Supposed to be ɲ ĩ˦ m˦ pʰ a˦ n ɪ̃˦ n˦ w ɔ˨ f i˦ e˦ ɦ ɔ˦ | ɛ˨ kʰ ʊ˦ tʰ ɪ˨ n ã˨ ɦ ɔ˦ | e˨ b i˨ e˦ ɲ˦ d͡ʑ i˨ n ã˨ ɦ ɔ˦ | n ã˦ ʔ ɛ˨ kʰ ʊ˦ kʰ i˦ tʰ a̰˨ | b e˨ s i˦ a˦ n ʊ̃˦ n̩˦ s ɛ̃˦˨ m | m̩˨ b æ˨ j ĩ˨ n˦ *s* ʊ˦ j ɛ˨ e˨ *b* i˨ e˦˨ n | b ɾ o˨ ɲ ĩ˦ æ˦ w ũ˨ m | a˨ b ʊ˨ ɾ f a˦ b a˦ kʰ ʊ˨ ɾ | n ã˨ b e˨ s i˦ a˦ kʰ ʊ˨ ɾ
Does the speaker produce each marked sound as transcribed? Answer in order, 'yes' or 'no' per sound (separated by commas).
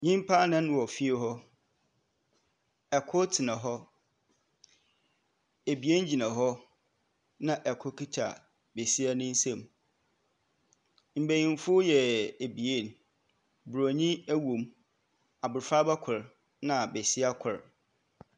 no, yes